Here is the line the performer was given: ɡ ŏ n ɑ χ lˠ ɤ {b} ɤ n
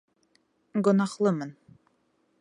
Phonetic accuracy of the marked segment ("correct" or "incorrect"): incorrect